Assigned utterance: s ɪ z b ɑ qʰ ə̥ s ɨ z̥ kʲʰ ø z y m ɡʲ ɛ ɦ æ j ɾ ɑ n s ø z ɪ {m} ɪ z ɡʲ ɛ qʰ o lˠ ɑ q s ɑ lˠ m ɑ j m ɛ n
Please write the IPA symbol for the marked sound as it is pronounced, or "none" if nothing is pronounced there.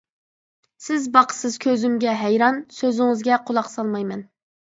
ŋ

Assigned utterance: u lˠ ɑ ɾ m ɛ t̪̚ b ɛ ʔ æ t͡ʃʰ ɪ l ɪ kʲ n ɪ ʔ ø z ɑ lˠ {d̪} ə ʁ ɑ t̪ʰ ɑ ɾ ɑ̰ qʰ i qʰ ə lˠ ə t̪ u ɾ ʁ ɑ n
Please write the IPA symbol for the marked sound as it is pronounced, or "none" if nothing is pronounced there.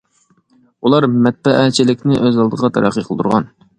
d̪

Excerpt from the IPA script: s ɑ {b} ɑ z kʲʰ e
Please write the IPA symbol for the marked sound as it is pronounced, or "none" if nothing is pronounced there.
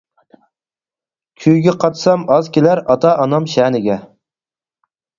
m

